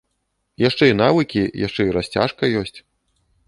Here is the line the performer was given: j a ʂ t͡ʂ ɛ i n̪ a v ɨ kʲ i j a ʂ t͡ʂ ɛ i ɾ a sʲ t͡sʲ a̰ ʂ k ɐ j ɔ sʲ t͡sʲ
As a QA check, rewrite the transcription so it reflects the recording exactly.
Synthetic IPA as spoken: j a ʂ t͡ʂ ɛ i n̪ a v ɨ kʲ i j a ʂ t͡ʂ ɛ i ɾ a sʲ t͡sʲ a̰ ʂ k ɐ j ɔ sʲ t͡sʲ

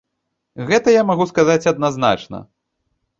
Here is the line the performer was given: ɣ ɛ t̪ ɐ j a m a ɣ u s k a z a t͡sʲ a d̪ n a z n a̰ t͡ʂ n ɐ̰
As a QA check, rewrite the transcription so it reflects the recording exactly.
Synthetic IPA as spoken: ɣ ɛ t̪ ɐ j a m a ɣ u s k a z a t͡sʲ ɐ d̪ n a z n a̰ t͡ʂ n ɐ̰

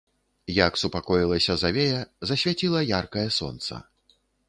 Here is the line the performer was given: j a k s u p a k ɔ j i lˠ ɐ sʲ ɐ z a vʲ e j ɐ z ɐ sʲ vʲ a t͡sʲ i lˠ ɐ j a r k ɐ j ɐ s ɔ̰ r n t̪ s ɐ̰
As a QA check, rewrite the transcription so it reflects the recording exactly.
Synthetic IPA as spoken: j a k s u p a k ɔ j i lˠ ɐ sʲ ɐ z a vʲ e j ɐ z ɐ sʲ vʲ a t͡sʲ i lˠ ɐ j a r k ɐ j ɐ s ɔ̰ n t̪ s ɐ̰

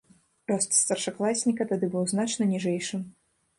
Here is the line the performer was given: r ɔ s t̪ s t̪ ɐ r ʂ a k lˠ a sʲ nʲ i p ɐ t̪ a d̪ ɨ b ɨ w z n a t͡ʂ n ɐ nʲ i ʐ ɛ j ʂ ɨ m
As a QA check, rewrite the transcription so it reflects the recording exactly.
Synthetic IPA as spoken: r ɔ s t̪ s t̪ ɐ r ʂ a k lˠ a sʲ nʲ i k ɐ t̪ a d̪ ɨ b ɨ w z n a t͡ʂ n ɐ nʲ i ʐ ɛ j ʂ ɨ m

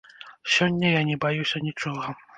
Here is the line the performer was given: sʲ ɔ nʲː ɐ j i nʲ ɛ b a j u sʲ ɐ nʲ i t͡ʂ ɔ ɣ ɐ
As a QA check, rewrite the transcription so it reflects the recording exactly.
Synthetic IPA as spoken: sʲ ɔ nʲː ɐ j a nʲ ɛ b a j u sʲ ɐ nʲ i t͡ʂ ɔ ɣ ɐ

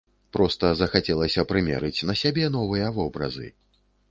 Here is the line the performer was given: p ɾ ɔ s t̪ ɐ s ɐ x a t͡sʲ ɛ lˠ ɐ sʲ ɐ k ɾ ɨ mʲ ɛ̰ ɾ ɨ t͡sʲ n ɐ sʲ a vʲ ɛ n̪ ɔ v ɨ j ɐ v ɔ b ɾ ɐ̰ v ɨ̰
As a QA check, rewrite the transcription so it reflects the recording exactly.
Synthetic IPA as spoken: p ɾ ɔ s t̪ ɐ z ɐ x a t͡sʲ ɛ lˠ ɐ sʲ ɐ p ɾ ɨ mʲ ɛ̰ ɾ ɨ t͡sʲ n ɐ sʲ a bʲ ɛ n̪ ɔ v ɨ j ɐ v ɔ b ɾ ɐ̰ z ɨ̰

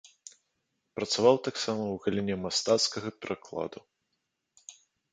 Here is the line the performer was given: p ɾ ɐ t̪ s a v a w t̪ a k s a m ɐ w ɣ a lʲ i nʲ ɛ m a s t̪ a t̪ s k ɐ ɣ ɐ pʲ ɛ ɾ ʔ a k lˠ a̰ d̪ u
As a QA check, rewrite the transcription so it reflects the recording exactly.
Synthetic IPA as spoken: p ɾ ɐ t̪ s a v a w t̪ a k s a m ɐ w ɣ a lʲ i nʲ ɛ m a s t̪ a t̪ s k ɐ ɣ ɐ pʲ ɛ ɾ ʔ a k lˠ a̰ d̪ u

